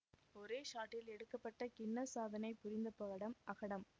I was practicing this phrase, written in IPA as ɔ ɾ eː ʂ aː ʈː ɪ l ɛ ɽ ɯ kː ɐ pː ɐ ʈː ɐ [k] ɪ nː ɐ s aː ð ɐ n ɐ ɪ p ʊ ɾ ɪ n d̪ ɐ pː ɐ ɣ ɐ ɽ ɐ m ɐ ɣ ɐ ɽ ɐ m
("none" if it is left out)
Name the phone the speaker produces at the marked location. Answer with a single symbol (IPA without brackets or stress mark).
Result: k